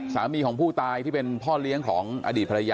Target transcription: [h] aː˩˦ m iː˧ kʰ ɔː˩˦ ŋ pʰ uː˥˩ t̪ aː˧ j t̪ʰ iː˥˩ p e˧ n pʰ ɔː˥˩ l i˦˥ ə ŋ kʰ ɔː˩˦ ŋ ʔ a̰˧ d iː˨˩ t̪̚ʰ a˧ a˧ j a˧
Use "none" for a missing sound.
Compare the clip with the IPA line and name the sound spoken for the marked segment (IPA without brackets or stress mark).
s